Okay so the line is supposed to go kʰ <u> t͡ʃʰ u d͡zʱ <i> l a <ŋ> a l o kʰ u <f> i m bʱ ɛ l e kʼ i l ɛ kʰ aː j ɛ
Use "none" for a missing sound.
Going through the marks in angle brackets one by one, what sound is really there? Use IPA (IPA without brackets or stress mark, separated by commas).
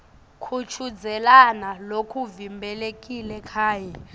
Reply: u, ɛ, n, v